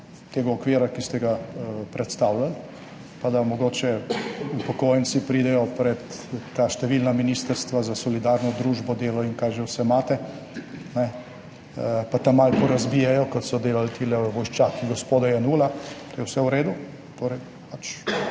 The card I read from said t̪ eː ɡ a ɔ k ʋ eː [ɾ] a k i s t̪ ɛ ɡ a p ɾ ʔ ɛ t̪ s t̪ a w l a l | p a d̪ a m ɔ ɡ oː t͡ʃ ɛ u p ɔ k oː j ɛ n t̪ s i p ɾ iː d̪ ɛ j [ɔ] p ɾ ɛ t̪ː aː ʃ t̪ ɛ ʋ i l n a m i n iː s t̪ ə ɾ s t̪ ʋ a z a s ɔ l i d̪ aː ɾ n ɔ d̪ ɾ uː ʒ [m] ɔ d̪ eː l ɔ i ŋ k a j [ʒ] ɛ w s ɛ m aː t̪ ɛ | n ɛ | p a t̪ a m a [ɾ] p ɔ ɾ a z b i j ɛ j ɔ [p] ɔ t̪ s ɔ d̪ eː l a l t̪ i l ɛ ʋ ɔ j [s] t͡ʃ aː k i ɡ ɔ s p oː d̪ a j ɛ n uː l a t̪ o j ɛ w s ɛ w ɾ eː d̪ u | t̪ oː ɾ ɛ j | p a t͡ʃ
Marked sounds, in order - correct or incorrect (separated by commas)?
correct, correct, incorrect, correct, incorrect, incorrect, incorrect